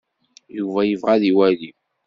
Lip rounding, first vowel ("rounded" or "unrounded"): rounded